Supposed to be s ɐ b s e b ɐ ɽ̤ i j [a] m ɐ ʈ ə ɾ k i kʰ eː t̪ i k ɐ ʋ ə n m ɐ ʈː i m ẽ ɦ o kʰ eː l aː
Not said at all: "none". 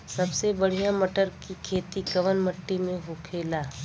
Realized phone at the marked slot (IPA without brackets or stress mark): a